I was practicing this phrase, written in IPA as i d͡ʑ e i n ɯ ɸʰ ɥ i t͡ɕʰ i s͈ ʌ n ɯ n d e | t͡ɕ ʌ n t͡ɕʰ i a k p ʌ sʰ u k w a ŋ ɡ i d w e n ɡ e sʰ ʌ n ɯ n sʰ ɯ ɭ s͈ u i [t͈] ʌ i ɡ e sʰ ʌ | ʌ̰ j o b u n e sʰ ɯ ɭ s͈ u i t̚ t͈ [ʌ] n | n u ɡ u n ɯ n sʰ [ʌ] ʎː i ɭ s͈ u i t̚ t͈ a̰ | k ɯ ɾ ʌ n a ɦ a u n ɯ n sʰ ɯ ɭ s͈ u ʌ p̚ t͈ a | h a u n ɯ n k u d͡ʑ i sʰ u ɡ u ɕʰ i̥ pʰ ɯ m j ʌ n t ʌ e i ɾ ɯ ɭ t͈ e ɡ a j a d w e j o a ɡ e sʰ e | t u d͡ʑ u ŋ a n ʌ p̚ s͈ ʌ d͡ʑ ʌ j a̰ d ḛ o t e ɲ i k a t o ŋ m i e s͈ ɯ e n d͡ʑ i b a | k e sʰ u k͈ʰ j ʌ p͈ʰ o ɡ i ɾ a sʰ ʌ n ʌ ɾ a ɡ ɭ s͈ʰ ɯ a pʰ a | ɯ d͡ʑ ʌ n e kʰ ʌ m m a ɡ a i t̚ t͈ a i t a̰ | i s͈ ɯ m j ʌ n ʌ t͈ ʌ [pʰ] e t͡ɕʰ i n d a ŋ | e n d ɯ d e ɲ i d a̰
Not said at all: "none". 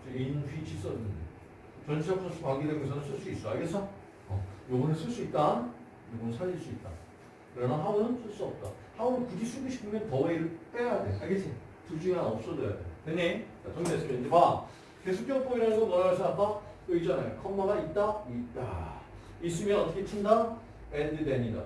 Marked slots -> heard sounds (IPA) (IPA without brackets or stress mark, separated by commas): s͈, a, a, kʰ